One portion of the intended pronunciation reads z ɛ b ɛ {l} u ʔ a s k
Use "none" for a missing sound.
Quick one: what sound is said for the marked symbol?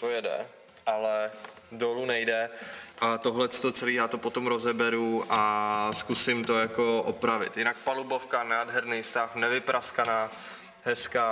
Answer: ɾ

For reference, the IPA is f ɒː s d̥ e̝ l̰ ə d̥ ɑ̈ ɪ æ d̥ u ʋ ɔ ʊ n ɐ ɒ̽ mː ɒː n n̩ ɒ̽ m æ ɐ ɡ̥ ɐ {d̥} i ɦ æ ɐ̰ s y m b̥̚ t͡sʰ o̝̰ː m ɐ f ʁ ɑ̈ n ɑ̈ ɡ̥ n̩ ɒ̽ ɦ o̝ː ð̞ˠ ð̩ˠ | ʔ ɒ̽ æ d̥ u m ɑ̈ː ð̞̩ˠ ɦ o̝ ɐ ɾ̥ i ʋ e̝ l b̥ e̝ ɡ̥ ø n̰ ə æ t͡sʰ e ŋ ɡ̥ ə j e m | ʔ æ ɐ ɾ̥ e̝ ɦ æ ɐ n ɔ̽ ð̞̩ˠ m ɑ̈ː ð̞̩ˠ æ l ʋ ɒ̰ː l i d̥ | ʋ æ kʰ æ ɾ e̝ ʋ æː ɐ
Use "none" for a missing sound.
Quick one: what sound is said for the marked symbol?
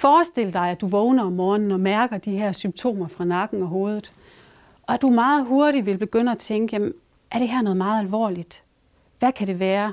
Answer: d̥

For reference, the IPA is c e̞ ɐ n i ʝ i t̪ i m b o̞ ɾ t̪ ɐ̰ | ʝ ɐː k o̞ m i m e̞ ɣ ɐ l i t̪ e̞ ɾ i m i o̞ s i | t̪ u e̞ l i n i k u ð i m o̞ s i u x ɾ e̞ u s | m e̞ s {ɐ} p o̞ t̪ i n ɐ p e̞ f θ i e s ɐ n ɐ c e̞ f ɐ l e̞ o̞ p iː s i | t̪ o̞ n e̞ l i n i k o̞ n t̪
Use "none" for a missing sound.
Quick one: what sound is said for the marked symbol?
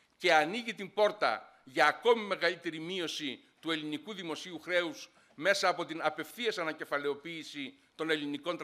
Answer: ɐː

